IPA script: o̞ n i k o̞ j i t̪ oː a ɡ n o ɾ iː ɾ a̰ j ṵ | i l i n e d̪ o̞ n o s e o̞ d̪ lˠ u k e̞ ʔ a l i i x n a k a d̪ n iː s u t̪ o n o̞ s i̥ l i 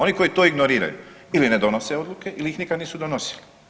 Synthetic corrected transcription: o̞ n i k o̞ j i t̪ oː i ɡ n o ɾ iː ɾ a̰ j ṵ | i l i n e d̪ o̞ n o s e o̞ d̪ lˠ u k e̞ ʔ i l i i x n i k a d̪ n iː s u d̪ o n o̞ s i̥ l i